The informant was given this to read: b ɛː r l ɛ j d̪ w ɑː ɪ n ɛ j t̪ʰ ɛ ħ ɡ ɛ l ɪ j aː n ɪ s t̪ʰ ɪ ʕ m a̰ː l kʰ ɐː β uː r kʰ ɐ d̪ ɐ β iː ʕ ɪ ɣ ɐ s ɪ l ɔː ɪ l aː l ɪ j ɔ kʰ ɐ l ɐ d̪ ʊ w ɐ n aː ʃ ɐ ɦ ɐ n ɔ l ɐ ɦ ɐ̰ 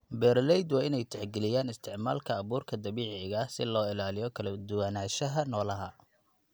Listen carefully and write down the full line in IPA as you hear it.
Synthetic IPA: b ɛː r l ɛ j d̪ w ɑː ɪ n ɛ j t̪ʰ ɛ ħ ɡ ɛ l ɪ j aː n ɪ s t̪ʰ ɪ ʕ m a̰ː l kʰ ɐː β uː r kʰ ɐ d̪ ɐ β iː ʕ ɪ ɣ ɐ s ɪ l ɔː ɪ l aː l ɪ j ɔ kʰ ɐ l ɐ d̪ ʊ w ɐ n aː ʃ ɐ ɦ ɐ n ɔː l ɐ ɦ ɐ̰